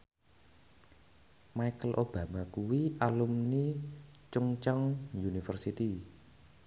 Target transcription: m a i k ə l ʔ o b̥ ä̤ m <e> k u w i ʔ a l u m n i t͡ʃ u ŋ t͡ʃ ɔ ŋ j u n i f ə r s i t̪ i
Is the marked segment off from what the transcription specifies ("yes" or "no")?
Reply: yes